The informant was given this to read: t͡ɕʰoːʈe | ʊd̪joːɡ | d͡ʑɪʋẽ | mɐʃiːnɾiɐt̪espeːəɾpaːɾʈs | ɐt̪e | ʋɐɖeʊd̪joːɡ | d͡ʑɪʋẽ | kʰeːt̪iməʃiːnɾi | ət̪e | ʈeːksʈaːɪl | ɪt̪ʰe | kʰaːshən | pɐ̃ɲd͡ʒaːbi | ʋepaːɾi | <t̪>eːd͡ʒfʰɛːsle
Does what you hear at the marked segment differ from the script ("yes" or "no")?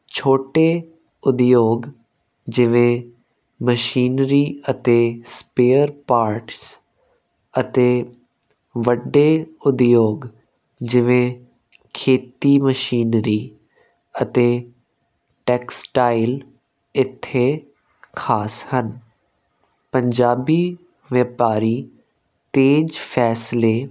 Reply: no